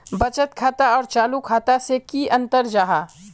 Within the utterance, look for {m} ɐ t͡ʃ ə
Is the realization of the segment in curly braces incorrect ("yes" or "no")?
yes